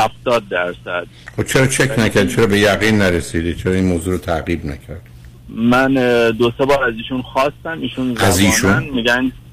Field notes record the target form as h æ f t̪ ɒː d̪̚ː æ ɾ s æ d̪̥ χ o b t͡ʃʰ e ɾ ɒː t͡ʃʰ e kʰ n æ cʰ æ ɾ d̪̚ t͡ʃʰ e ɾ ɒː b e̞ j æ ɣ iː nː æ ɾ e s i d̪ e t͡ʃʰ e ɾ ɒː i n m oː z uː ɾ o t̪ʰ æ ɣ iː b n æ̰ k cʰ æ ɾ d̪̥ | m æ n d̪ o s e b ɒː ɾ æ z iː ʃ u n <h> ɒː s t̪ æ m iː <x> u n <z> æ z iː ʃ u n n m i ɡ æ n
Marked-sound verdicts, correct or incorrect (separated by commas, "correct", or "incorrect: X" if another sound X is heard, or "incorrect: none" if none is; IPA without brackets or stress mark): incorrect: x, incorrect: ʃ, correct